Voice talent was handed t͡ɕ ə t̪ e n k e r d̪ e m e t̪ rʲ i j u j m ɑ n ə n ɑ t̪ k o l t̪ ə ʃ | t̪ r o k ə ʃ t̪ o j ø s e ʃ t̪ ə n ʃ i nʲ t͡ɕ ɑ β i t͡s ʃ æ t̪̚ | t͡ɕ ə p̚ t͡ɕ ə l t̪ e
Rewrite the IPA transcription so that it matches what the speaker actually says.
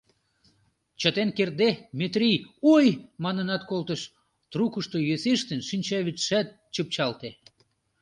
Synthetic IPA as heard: t͡ɕ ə t̪ e n k e r d̪ e m e t̪ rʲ i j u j m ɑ n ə n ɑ t̪ k o l t̪ ə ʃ | t̪ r u k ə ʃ t̪ o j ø s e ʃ t̪ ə n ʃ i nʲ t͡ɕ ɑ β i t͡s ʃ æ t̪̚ | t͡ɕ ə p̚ t͡ɕ ɑ l t̪ e